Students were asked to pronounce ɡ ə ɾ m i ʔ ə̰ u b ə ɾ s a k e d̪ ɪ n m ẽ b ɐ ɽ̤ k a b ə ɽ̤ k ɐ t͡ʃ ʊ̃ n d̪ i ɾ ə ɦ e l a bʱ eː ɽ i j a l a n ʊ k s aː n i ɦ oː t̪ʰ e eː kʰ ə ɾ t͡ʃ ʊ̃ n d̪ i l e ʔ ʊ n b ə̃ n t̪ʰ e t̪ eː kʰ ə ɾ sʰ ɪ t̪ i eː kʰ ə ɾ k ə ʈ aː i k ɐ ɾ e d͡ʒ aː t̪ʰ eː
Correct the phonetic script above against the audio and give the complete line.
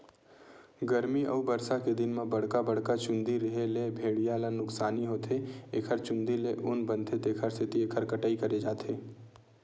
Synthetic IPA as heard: ɡ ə ɾ m i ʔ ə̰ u b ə ɾ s a k e d̪ ɪ n m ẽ b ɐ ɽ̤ k a b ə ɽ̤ k a t͡ʃ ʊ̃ n d̪ i ɾ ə ɦ e l e bʱ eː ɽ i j a l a n ʊ k s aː n i ɦ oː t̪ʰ e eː kʰ ə ɾ t͡ʃ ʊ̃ n d̪ i l e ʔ ʊ n b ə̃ n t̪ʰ e t̪ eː kʰ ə ɾ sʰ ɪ t̪ i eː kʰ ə ɾ k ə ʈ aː i k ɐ ɾ e d͡ʒ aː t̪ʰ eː